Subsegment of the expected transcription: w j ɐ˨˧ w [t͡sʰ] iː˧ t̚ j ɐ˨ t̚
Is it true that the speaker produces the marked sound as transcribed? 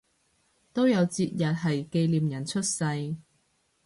no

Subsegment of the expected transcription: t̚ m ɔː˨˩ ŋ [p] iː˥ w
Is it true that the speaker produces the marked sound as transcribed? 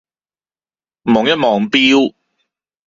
yes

